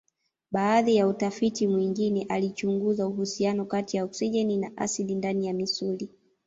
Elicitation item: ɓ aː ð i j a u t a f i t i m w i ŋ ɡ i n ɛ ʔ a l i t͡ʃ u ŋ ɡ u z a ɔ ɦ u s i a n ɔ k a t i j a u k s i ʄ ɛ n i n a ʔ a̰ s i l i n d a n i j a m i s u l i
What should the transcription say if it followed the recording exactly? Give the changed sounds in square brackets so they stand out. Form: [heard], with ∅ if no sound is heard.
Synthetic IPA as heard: ɓ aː ð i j a u t a f i t i m w i ŋ ɡ i n ɛ ʔ a l i t͡ʃ u ŋ ɡ u z a [u] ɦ u s i a n ɔ k a t i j a u k s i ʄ ɛ n i n a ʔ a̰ s i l i n d a n i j a m i s u l i